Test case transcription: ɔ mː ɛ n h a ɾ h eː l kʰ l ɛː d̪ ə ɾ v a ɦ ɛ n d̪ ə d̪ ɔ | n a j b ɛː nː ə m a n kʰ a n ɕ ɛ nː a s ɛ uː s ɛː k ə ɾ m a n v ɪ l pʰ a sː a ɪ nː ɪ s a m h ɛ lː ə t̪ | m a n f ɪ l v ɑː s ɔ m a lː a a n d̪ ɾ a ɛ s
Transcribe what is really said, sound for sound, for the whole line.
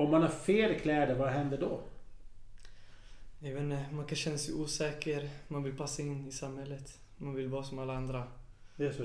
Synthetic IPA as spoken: ɔ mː a n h a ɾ f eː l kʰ l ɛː d̪ ə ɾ v a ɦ ɛ n d̪ ə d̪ ɔ | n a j v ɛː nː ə m a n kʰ a n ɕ ɛ nː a s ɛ uː s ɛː k ə ɾ m a n v ɪ l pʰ a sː a ɪ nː ɪ s a m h ɛ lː ə t̪ | m a n v ɪ l v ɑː s ɔ m a lː a a n d̪ ɾ a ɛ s